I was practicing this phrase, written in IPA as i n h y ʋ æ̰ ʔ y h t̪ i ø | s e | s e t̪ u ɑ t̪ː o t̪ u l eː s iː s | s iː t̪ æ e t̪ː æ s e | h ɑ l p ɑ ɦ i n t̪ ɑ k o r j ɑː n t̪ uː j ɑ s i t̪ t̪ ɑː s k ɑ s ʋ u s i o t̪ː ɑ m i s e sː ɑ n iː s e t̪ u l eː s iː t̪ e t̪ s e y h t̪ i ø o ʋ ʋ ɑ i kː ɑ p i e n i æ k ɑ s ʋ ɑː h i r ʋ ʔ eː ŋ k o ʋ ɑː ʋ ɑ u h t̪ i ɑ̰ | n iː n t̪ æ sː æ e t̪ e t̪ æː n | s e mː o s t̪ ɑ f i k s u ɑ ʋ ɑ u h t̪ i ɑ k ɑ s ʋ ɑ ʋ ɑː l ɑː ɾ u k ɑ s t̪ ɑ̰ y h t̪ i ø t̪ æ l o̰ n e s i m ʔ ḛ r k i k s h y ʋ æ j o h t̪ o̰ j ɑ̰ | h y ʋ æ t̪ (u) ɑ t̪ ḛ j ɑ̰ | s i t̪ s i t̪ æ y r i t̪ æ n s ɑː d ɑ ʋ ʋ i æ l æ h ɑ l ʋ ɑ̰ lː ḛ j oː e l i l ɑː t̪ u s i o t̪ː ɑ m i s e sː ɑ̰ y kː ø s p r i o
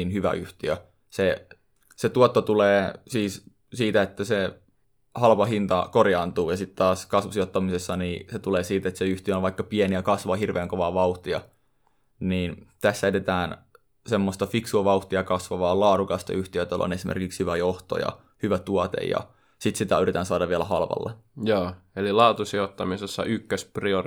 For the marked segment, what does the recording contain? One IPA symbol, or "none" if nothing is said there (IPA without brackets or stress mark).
u